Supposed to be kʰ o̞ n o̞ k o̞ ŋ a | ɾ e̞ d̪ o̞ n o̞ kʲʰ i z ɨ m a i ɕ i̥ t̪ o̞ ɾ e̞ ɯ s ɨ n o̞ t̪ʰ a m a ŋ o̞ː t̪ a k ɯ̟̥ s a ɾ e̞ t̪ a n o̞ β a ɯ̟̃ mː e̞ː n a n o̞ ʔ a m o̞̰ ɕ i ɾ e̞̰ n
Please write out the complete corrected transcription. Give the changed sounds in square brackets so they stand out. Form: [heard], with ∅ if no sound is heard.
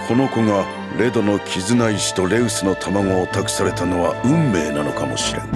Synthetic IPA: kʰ o̞ n o̞ k o̞ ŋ a | ɾ e̞ d̪ o̞ n o̞ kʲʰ i z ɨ [n] a i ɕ i̥ t̪ o̞ ɾ e̞ ɯ s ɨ n o̞ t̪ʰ a m a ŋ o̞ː t̪ a k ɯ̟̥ s a ɾ e̞ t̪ a n o̞ β a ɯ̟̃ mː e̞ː n a n o̞ [k] a m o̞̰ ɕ i ɾ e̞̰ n